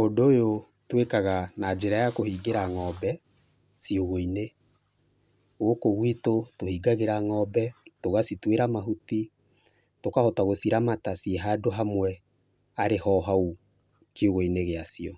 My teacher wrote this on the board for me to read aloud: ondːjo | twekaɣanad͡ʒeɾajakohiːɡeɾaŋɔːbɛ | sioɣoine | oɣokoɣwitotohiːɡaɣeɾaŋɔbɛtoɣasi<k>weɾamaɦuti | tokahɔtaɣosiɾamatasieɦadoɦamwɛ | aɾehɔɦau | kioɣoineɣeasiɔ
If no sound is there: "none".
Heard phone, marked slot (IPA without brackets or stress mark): t